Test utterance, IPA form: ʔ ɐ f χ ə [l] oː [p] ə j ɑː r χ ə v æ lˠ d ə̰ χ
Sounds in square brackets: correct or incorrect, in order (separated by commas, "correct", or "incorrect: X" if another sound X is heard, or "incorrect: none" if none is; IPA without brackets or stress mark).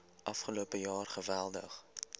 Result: correct, correct